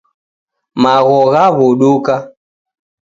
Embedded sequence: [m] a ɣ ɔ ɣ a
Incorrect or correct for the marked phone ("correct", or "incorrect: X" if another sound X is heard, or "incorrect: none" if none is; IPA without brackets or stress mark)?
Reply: correct